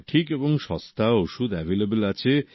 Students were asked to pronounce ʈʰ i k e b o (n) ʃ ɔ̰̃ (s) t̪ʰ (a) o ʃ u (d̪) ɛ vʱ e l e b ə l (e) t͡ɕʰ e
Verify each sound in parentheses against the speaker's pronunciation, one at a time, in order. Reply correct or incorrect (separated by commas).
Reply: incorrect, correct, correct, correct, incorrect